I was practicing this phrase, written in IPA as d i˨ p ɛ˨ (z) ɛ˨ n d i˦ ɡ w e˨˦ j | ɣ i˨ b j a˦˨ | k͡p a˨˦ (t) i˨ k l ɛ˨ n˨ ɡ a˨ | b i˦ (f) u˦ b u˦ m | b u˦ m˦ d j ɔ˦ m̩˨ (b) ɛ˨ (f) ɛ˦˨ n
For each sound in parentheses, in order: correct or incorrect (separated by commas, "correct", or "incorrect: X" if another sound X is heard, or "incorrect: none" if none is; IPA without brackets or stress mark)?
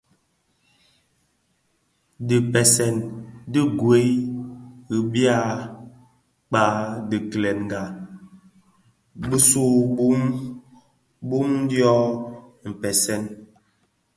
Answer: incorrect: s, incorrect: d, incorrect: s, incorrect: p, incorrect: s